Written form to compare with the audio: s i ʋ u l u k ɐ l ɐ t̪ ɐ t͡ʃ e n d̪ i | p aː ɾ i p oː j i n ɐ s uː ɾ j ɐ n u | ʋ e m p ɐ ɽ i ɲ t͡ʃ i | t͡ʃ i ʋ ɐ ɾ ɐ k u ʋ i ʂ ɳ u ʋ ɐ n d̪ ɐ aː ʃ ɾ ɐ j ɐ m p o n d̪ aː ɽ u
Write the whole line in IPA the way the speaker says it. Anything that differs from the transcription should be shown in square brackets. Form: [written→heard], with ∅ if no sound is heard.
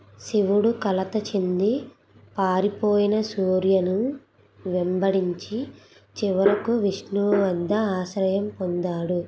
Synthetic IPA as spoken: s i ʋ u [l→ɽ] u k ɐ l ɐ t̪ ɐ t͡ʃ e n d̪ i | p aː ɾ i p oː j i n ɐ s uː ɾ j ɐ n u | ʋ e m [p→b] ɐ ɽ i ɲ t͡ʃ i | t͡ʃ i ʋ ɐ ɾ ɐ k u ʋ i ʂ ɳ u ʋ ɐ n d̪ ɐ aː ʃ ɾ ɐ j ɐ m p o n d̪ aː ɽ u